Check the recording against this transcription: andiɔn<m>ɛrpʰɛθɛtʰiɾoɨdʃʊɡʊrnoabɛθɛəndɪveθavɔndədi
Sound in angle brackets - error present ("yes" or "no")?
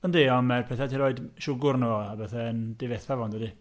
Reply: no